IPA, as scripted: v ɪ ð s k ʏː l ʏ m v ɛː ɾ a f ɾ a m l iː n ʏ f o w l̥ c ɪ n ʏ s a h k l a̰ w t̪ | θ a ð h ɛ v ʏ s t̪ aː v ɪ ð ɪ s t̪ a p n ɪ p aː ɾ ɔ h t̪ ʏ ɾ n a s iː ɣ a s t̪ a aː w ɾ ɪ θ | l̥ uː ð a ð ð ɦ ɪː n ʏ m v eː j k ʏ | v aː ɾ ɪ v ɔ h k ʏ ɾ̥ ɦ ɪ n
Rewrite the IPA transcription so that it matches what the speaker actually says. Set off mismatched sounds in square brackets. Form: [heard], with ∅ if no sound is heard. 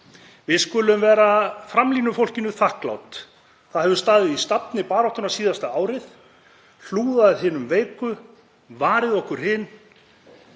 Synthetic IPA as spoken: v ɪ ð s k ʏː l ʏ m v ɛː ɾ a f ɾ a m l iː n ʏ f o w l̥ c ɪ n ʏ [θ] a h k l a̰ w t̪ | θ a ð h ɛ v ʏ s t̪ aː [ð] ɪ ð [i] s t̪ a p n ɪ p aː ɾ ɔ h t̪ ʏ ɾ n a s iː [ð] a s t̪ a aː w ɾ ɪ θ | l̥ uː ð a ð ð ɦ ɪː n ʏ m v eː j k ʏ | v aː ɾ ɪ [ð] ɔ h k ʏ ɾ̥ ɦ ɪ n